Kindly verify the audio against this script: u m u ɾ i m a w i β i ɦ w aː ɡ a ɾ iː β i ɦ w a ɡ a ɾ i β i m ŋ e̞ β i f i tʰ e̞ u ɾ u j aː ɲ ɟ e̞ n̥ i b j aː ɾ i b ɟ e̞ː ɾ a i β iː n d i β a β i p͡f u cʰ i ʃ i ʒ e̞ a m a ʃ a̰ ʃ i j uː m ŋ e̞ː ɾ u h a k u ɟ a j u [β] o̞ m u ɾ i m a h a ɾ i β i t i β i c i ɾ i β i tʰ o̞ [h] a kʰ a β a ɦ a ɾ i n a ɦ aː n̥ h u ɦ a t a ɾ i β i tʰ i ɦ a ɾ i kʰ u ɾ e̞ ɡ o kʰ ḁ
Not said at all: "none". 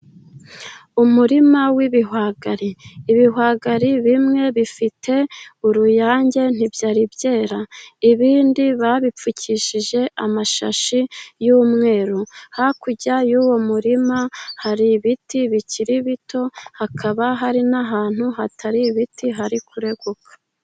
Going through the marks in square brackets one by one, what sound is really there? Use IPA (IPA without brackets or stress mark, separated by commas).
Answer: w, h